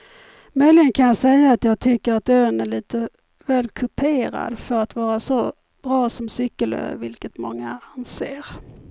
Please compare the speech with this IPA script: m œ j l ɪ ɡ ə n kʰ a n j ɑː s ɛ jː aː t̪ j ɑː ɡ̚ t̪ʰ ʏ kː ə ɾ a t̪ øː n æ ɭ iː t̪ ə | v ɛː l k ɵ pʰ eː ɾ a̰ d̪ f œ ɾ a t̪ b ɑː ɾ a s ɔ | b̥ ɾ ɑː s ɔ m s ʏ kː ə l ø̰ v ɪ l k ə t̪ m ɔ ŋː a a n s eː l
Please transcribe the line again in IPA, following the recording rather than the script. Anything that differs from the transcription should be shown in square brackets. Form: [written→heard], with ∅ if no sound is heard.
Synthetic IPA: m œ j l ɪ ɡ ə n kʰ a n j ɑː s ɛ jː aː t̪ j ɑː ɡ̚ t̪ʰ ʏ kː ə ɾ a t̪ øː n æ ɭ iː t̪ ə | v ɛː l [k→kʰ] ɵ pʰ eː ɾ a̰ d̪ f œ ɾ a t̪ [b→v] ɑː ɾ a s ɔ | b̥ ɾ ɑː s ɔ m s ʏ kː ə l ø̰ v ɪ l k ə t̪ m ɔ ŋː a a n s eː [l→ɾ]